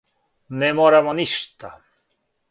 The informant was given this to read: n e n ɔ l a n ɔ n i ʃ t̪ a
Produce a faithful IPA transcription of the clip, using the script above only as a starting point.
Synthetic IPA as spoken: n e m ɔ ɾ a m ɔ n i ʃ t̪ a